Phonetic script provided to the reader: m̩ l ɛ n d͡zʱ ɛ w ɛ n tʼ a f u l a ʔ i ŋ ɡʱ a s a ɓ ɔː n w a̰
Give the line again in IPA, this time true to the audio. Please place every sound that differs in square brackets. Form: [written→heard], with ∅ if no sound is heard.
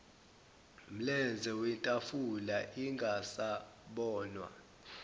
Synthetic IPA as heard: m̩ l ɛ n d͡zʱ ɛ w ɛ n tʼ a f u l a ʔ i ŋ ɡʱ a s a ɓ ɔː n w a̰